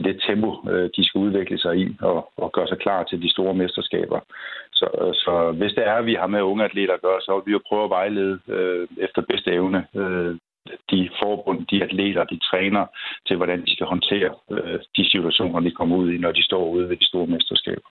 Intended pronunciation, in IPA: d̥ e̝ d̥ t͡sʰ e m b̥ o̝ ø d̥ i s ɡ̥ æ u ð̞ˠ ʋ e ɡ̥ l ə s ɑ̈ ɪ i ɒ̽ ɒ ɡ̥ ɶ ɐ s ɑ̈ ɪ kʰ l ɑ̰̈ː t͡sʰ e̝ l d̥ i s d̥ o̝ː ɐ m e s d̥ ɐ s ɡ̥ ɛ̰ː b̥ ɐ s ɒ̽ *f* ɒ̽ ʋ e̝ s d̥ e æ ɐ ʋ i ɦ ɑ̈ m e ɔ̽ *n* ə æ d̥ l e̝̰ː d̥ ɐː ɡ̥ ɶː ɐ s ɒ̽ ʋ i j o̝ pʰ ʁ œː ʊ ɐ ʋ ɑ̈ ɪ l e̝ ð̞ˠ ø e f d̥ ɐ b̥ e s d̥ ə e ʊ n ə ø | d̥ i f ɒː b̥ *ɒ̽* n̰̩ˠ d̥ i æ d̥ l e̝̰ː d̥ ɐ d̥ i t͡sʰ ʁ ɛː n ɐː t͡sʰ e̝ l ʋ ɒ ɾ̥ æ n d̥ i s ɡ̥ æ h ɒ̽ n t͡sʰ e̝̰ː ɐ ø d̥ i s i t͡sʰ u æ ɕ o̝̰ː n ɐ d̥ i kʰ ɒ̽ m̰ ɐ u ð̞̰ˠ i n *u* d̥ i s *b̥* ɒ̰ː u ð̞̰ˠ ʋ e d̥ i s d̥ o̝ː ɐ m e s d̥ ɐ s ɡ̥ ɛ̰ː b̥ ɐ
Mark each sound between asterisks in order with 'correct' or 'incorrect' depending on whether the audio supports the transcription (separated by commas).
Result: incorrect, incorrect, incorrect, incorrect, incorrect